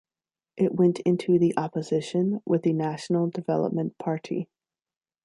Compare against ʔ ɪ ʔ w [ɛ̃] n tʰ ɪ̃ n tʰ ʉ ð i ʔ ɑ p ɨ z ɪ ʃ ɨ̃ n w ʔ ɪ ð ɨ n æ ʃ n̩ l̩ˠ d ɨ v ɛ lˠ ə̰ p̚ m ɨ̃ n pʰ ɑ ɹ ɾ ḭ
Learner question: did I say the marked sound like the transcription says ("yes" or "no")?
yes